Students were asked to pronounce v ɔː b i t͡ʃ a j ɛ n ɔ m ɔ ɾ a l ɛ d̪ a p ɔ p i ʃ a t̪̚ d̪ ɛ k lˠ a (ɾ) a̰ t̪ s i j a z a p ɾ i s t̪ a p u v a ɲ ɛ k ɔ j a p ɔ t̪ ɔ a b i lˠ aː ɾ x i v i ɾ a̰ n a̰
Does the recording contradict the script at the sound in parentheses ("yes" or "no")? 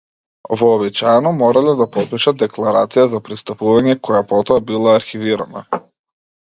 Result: no